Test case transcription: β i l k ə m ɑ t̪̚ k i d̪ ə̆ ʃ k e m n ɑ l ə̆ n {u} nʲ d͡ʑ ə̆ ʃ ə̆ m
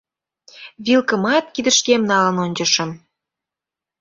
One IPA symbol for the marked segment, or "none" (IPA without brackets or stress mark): o